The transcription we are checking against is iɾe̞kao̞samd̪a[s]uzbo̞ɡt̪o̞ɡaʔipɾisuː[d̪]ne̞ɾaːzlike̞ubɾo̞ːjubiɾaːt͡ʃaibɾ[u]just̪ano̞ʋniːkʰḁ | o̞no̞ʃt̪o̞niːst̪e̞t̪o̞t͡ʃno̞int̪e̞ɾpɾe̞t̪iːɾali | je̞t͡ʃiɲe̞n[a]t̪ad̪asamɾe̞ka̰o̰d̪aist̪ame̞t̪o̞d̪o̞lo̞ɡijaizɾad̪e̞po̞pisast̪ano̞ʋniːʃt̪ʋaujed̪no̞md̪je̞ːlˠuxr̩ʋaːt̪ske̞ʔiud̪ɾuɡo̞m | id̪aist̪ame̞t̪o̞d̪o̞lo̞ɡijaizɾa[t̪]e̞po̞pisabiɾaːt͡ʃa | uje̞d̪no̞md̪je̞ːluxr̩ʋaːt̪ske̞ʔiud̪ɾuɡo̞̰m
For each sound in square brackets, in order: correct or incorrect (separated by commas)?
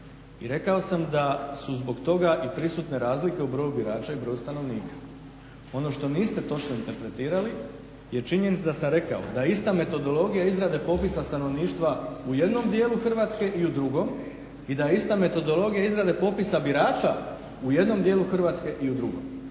correct, incorrect, incorrect, incorrect, incorrect